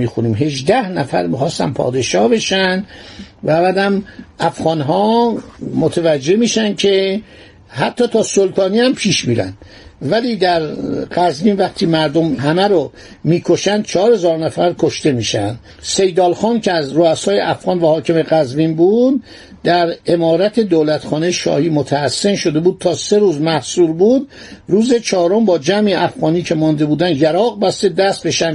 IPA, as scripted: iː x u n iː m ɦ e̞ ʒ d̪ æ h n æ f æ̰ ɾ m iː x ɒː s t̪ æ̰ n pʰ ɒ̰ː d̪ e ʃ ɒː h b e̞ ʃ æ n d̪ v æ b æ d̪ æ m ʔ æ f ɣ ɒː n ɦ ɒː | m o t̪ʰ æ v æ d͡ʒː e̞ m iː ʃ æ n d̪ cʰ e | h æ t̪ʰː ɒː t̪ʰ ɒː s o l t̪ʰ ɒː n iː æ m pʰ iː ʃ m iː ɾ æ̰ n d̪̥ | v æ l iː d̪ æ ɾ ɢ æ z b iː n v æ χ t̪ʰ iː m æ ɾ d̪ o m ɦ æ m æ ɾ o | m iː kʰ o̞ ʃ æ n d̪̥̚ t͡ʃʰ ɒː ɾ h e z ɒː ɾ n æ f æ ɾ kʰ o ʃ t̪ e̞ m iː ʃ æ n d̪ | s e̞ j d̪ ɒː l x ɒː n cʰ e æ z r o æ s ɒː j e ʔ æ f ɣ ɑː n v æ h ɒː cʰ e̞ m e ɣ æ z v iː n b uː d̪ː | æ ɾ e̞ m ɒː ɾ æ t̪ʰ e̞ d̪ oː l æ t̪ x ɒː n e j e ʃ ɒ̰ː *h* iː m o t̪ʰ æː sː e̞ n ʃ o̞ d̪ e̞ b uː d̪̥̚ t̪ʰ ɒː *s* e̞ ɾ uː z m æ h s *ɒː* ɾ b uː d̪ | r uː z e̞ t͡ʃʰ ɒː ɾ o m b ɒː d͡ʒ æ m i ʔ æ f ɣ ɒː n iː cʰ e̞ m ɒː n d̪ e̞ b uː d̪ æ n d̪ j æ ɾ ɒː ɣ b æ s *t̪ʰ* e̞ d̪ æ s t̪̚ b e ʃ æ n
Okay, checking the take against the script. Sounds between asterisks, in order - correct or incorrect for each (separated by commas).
correct, correct, incorrect, incorrect